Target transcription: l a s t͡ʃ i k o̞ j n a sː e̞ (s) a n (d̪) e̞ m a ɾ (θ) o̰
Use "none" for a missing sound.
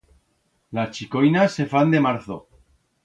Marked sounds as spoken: f, d̪, θ

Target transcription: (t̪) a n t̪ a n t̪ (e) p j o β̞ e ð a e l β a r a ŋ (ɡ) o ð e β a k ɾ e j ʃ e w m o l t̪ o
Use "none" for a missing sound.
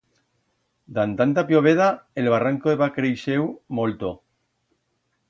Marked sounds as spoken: d̪, a, k

